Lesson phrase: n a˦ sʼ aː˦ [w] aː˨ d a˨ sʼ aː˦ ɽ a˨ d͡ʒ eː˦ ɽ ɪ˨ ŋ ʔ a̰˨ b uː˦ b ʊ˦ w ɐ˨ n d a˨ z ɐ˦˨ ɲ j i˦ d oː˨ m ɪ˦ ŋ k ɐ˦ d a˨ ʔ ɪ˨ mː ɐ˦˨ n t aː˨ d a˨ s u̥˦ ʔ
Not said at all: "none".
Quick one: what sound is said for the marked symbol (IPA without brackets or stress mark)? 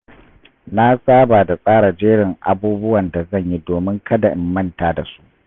b